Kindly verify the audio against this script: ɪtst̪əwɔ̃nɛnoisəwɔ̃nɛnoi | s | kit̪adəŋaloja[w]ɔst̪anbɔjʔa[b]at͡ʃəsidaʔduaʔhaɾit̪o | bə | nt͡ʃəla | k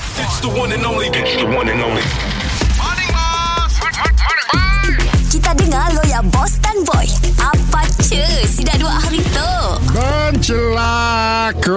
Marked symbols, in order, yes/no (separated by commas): no, no